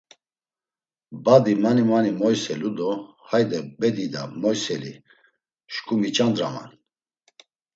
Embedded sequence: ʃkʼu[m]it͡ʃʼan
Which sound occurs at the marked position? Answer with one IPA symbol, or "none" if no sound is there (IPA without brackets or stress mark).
m